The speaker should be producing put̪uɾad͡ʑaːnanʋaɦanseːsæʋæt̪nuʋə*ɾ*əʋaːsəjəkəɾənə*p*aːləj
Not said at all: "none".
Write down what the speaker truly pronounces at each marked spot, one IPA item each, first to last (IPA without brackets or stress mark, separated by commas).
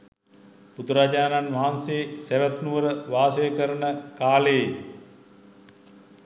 ɾ, k